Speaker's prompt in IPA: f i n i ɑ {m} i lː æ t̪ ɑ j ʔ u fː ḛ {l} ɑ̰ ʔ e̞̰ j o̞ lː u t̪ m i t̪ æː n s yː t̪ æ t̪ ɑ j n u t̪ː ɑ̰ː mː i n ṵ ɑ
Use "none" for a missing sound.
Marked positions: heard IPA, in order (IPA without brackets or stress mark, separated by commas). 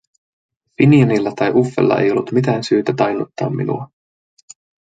n, lː